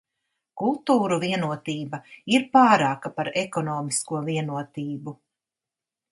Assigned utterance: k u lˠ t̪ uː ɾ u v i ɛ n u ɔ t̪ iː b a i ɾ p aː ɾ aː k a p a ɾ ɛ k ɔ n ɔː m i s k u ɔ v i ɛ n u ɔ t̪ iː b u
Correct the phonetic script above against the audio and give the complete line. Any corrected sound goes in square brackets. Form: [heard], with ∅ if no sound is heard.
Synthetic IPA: k u lˠ t̪ uː ɾ u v i ɛ n u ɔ t̪ iː b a i ɾ p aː ɾ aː k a p a ɾ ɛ k ɔ n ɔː m i s k u ɔ v i ɛ n u ɔ t̪ iː b u